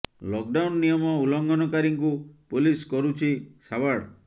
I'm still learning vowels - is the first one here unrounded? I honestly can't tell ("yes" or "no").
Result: no